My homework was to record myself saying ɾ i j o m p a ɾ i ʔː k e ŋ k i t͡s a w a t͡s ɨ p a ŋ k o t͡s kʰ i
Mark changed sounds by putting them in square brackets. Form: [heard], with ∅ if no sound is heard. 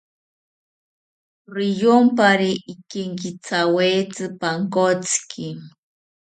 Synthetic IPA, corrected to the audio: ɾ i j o m p a ɾ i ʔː k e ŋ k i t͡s a w [e] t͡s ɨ p a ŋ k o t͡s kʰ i